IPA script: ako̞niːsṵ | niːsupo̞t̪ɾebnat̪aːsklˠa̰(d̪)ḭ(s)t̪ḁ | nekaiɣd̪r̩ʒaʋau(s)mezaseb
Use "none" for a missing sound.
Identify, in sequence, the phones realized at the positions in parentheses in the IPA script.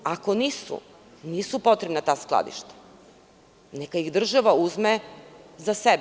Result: d̪, ʃ, z

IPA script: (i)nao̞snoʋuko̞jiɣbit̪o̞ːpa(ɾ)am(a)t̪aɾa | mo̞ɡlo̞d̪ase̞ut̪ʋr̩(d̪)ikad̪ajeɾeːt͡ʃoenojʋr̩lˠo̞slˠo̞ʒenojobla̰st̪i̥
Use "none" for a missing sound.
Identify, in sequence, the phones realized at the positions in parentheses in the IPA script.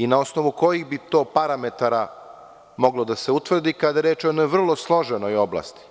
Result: i, ɾ, e, d̪

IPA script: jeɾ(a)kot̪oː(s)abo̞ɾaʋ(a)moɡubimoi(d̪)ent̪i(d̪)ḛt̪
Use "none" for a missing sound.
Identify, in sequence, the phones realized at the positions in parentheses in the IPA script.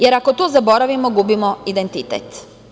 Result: a, z, i, d̪, t̪

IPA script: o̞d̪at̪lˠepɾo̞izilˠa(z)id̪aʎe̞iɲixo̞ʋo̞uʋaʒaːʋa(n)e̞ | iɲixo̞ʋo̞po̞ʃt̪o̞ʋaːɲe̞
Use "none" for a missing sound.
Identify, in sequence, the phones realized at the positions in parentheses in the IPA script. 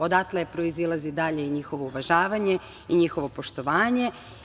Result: z, ɲ

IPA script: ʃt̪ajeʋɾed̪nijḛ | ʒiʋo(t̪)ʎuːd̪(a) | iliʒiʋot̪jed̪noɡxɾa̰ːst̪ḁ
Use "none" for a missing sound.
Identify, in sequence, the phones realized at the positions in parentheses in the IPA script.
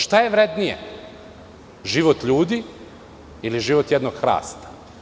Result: t̪, i

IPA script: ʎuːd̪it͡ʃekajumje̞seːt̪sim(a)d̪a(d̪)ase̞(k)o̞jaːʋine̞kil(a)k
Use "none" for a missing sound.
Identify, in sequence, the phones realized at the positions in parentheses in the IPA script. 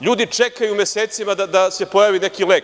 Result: a, d̪, p, e

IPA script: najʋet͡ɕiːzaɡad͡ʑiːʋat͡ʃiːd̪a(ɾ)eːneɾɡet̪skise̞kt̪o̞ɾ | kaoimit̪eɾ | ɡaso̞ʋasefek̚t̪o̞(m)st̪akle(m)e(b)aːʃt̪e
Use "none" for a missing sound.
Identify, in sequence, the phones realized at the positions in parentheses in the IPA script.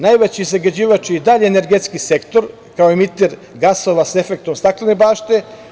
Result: ʎ, m, n, b

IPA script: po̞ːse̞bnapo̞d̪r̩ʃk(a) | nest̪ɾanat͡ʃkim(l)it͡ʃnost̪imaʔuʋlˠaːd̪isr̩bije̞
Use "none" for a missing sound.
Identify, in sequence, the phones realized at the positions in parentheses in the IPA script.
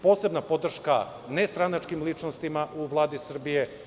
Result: a, l

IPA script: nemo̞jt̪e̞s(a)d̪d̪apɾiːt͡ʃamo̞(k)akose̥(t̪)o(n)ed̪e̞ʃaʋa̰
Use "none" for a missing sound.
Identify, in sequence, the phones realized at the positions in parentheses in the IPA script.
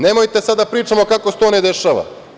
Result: a, k, t̪, n

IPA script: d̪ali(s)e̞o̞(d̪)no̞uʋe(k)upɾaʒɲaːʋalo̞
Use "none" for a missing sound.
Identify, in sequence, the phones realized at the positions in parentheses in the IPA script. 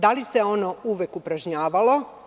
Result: s, none, k

